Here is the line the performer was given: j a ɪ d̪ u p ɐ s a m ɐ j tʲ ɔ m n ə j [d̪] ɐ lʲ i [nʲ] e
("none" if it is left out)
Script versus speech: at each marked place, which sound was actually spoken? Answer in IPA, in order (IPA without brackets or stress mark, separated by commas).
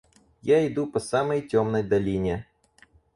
d̪, nʲ